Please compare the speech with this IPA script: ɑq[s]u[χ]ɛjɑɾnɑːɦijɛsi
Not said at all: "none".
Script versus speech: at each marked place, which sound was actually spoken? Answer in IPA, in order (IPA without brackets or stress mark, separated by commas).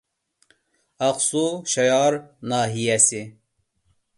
s, ʃ